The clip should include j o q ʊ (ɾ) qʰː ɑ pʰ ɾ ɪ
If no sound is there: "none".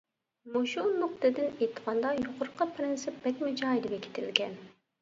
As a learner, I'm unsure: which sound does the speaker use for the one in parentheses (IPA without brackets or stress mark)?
ɾ